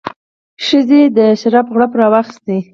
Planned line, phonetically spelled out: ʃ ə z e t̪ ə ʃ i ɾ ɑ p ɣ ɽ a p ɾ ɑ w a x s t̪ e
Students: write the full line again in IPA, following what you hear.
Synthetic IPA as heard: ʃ ə z e d̪ ə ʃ a ɾ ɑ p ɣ ɽ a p ɾ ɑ w a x s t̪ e